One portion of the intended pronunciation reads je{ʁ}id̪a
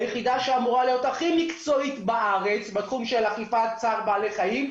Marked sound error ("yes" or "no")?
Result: yes